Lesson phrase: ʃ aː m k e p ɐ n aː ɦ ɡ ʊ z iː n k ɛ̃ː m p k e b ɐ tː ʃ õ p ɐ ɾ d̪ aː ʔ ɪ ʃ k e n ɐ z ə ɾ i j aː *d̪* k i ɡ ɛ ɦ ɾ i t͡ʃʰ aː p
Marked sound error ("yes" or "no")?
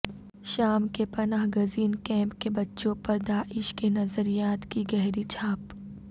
yes